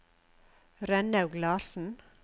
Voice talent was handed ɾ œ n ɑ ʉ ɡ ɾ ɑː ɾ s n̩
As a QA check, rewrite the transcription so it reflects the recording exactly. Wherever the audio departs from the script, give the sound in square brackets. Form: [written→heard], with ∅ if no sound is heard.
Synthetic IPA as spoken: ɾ [œ→ɛ] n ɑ ʉ ɡ [ɾ→l] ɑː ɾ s n̩